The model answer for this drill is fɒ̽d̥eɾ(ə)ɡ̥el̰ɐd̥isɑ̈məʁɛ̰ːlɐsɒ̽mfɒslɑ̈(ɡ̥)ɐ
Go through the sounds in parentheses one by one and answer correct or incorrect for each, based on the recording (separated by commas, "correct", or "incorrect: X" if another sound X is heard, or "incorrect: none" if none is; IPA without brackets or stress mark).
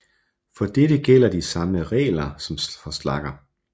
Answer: correct, correct